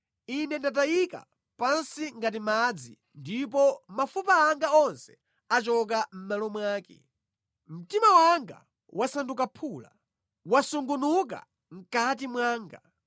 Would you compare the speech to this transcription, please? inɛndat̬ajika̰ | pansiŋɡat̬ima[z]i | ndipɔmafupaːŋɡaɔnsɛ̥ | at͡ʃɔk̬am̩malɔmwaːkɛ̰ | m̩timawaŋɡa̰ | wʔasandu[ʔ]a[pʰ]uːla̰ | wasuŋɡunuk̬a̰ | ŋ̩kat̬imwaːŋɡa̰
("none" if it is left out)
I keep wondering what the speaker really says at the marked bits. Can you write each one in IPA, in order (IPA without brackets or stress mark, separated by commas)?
d͡z, k, pʰ